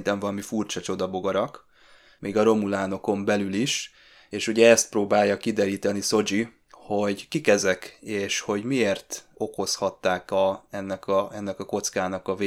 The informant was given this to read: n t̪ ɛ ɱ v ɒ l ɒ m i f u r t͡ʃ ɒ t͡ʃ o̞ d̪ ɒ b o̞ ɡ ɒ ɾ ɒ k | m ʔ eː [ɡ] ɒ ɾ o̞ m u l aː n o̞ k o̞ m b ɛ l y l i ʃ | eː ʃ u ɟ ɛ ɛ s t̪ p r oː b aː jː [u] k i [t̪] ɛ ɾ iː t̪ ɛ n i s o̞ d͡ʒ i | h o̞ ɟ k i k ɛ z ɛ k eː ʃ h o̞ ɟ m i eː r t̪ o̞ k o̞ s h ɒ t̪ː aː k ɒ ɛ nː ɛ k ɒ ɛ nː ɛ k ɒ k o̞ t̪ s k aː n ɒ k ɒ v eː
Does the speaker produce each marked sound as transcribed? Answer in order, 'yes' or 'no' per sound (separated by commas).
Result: yes, no, no